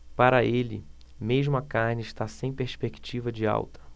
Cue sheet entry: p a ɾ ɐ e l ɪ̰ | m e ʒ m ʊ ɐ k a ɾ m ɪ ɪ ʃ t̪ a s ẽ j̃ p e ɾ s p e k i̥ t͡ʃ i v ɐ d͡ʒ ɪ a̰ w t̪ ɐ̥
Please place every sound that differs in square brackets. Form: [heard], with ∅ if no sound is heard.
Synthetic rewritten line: p a ɾ ɐ e l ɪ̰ | m e ʒ m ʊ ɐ k a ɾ [n] ɪ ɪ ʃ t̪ a s ẽ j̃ p e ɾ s p e k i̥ t͡ʃ i v ɐ d͡ʒ ɪ a̰ w t̪ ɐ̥